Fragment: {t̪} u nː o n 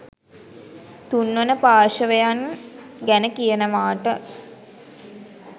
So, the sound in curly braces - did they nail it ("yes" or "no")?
yes